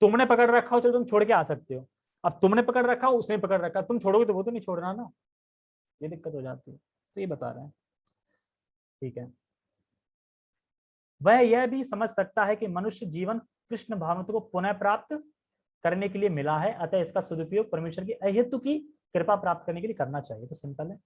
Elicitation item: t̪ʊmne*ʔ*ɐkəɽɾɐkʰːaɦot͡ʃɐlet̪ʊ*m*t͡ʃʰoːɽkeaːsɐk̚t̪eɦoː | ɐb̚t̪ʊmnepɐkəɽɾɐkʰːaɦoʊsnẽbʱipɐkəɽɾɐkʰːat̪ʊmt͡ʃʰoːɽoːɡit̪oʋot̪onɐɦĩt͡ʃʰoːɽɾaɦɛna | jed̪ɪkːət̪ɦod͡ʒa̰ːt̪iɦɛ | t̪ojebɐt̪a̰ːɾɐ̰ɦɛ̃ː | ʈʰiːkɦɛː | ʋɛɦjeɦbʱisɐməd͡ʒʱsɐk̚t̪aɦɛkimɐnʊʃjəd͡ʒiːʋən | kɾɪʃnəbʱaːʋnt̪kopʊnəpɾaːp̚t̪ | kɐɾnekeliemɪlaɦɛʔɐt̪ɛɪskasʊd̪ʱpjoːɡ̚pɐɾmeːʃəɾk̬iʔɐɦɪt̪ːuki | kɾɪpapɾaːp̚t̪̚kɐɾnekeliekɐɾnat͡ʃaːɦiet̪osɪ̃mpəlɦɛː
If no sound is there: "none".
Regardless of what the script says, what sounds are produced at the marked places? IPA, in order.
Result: p, m

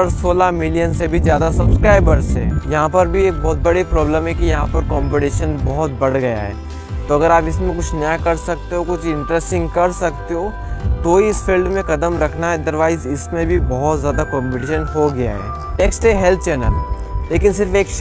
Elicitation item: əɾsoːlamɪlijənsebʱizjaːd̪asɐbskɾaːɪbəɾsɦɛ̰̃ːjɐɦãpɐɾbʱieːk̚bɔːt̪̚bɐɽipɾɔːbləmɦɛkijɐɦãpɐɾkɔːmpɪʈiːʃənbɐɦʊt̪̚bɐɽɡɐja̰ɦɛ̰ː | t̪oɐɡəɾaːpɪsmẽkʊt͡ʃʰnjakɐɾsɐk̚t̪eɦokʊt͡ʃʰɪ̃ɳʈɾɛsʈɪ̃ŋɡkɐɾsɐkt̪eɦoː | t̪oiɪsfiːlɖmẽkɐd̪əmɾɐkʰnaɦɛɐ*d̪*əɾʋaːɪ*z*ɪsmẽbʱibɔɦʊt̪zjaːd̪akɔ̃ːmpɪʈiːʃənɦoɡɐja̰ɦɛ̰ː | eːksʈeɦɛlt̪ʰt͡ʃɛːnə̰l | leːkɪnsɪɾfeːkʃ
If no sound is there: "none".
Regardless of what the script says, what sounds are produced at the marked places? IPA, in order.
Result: d̪, z

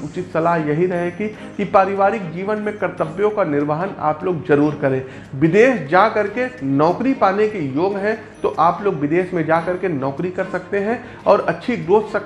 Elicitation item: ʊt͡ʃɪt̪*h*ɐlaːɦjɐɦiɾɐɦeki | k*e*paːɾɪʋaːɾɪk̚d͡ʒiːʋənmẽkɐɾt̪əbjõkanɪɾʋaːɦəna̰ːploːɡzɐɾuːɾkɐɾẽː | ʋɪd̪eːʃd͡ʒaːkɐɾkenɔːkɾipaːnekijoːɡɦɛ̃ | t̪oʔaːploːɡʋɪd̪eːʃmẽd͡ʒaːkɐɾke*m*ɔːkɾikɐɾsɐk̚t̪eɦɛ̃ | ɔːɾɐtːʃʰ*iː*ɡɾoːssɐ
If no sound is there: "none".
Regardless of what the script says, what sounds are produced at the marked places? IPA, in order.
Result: s, i, n, i

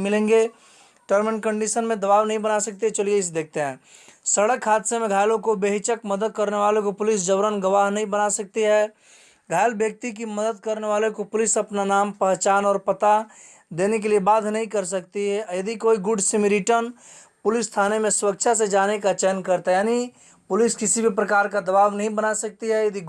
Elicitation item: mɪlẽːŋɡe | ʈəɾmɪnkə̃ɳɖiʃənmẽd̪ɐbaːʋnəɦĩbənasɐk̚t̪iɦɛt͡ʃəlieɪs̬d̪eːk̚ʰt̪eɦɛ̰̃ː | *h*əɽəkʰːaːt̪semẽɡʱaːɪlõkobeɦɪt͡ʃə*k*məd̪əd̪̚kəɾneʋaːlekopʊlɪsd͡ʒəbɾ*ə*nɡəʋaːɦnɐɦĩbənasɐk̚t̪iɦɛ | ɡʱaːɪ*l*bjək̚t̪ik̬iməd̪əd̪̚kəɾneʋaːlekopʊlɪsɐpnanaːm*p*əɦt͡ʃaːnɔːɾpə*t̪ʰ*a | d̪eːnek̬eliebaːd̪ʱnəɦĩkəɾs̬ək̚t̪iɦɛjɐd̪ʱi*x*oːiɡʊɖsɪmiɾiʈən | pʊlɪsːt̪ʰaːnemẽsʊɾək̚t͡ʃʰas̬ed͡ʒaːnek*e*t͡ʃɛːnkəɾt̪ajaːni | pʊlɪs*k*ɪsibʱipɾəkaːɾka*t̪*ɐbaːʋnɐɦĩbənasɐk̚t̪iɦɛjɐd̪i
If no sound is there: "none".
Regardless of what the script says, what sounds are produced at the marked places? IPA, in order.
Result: s, k, ə, l, p, t̪, k, a, k, d̪

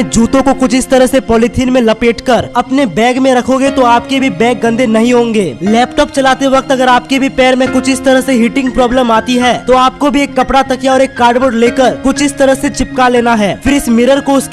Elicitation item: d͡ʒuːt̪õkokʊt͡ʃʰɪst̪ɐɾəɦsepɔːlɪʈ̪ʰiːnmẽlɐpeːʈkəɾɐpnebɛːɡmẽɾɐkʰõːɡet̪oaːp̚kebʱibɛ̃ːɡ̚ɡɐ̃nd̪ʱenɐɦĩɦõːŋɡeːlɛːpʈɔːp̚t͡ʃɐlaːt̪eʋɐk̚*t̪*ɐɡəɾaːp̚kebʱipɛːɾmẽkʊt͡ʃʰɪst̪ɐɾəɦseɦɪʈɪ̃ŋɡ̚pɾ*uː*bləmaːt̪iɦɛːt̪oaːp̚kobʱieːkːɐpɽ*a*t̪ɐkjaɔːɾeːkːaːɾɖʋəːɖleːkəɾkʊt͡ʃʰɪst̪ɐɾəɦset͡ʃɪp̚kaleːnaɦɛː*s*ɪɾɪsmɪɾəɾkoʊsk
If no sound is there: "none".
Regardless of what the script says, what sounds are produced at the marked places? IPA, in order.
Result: t̪, ɔː, a, f

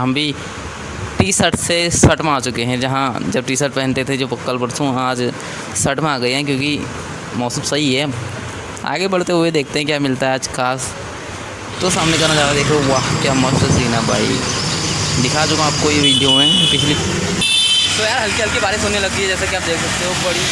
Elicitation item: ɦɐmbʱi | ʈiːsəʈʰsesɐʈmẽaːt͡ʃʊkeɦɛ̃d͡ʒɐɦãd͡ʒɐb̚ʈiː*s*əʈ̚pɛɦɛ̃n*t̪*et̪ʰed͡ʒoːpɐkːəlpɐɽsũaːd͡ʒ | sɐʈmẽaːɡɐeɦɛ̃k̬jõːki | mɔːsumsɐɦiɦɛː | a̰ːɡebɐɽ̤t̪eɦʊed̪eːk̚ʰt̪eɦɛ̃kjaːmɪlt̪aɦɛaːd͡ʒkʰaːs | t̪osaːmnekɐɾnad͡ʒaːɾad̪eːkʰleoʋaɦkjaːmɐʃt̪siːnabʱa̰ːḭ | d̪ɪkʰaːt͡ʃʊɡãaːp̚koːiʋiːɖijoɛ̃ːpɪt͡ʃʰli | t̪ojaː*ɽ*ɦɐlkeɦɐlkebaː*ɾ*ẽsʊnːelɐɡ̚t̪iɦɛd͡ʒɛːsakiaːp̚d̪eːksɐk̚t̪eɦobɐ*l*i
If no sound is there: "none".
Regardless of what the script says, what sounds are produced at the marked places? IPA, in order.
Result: s, t̪, ɾ, ɾ, ɽ

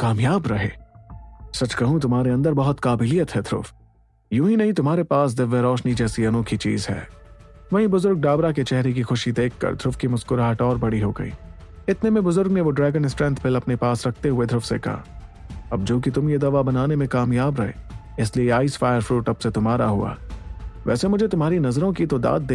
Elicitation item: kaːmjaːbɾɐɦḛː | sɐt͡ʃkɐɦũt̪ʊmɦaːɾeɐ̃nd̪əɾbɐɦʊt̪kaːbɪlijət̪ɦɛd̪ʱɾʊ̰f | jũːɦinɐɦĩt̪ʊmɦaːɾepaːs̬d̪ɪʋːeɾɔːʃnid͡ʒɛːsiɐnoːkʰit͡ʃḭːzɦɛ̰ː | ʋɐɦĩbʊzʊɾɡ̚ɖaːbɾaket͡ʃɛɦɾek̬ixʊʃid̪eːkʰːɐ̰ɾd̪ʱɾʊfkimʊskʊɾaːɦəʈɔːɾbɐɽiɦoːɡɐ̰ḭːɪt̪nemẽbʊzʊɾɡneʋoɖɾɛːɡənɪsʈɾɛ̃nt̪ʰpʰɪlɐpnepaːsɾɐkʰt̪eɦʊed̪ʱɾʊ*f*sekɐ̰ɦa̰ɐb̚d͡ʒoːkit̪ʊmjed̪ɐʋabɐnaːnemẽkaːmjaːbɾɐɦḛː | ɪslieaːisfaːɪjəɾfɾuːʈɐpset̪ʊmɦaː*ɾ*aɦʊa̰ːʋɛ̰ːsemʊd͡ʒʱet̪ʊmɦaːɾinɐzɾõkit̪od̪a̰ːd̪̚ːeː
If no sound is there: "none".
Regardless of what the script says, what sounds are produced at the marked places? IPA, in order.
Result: f, ɾ

